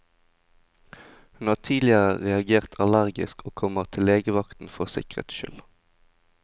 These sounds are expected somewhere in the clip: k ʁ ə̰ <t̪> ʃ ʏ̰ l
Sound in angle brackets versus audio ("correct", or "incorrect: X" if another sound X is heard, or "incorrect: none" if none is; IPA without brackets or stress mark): correct